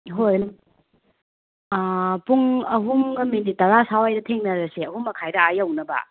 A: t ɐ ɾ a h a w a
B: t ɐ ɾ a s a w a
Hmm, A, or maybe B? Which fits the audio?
B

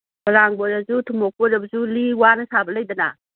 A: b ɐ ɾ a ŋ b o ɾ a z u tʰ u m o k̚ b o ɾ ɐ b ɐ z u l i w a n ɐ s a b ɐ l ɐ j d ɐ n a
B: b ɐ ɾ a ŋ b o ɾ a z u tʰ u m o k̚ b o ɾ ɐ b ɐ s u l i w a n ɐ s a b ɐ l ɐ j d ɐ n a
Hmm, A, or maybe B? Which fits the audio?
A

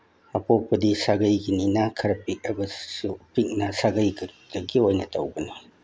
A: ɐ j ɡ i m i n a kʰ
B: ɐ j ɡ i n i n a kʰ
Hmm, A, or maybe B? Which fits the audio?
B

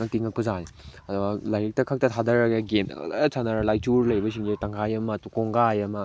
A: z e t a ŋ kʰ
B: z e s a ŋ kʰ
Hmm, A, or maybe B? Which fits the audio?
A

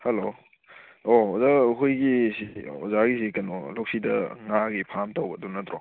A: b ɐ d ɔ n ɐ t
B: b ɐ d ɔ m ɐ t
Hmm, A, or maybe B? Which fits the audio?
A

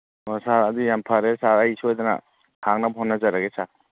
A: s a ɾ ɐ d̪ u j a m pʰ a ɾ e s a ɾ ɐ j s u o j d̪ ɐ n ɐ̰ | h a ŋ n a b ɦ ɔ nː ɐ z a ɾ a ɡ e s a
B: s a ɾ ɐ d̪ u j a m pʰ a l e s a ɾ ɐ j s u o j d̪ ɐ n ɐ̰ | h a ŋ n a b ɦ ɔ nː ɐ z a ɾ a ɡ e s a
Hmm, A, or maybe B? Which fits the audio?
A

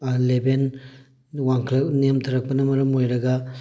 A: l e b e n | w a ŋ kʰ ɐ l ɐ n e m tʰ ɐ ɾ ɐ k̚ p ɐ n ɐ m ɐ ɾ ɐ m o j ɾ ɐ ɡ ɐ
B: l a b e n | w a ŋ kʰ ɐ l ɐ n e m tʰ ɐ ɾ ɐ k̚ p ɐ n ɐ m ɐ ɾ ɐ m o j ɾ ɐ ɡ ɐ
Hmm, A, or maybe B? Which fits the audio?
A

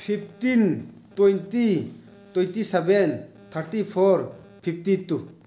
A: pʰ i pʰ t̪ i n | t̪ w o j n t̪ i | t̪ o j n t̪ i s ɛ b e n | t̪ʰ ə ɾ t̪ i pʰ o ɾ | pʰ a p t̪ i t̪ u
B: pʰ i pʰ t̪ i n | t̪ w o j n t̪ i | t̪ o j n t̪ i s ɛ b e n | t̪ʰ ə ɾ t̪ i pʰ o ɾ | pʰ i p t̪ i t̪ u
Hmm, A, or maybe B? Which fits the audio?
B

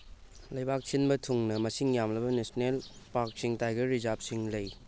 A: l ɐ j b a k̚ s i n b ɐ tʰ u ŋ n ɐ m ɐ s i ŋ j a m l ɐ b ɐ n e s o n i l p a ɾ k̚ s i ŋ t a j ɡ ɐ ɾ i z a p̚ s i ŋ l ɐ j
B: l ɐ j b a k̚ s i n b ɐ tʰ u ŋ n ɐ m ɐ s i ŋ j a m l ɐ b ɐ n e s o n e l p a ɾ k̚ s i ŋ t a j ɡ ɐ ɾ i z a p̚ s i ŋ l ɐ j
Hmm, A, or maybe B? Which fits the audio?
B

